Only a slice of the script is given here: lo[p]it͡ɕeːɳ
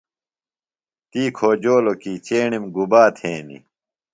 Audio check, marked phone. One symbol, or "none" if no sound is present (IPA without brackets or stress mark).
k